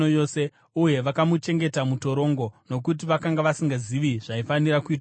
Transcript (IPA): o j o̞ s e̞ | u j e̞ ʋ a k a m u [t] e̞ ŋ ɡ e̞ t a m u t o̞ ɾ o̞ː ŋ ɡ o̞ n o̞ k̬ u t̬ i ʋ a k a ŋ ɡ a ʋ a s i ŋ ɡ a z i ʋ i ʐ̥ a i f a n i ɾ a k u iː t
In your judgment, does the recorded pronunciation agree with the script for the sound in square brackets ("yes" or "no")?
no